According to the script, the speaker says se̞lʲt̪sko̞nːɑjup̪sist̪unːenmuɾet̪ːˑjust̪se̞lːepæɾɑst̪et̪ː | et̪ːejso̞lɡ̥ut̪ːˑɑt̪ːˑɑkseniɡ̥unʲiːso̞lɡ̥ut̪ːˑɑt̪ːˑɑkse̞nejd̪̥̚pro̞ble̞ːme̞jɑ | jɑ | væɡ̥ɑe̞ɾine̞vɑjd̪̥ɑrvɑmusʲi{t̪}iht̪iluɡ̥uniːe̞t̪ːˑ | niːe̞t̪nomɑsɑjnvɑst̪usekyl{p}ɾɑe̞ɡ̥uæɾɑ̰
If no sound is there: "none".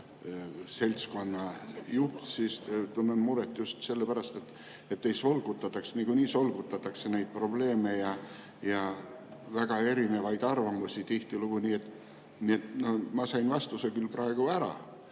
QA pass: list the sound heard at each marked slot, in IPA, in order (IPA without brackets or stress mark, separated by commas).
t̪, p